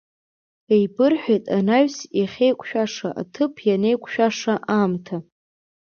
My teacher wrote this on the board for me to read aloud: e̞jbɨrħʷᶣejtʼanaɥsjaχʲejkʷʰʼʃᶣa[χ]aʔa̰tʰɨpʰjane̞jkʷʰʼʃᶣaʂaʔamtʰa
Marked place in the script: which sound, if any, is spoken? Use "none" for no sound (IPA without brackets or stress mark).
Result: ʂ